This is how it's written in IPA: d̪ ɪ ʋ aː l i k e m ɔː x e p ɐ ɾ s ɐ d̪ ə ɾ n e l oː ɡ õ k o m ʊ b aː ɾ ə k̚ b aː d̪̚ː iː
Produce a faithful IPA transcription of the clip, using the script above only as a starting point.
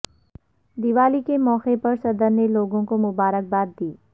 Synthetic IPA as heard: d̪ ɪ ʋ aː l i k e m ɔː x e p ɐ ɾ s ɐ d̪ ə ɾ n e l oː ɡ õ k o m ʊ b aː ɾ ə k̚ b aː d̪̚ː iː